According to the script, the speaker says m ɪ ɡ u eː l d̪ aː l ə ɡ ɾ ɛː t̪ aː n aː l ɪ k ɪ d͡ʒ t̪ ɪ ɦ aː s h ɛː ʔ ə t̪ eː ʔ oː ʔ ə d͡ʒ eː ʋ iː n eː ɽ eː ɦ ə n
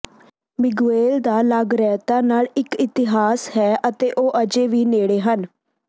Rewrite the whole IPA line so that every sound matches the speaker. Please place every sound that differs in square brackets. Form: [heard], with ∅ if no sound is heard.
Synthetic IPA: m ɪ ɡ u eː l d̪ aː l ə ɡ ɾ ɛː t̪ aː n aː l ɪ k ɪ [∅] t̪ ɪ ɦ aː s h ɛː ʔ ə t̪ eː ʔ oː ʔ ə d͡ʒ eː ʋ iː n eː ɽ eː ɦ ə n